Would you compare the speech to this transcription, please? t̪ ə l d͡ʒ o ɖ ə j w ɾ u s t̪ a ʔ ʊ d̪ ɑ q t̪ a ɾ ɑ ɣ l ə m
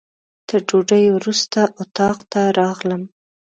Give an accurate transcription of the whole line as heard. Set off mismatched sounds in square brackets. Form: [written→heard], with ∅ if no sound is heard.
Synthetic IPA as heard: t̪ ə [l→ɾ] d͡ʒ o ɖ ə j w ɾ u s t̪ a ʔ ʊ [d̪→t̪] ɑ q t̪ a ɾ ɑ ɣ l ə m